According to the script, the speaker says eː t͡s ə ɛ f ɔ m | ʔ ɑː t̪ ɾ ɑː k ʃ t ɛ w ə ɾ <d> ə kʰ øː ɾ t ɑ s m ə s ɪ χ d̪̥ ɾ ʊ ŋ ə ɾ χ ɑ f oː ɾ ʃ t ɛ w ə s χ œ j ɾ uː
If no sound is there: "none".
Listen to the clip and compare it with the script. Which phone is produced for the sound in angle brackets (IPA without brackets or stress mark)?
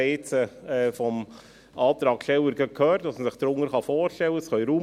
ɡ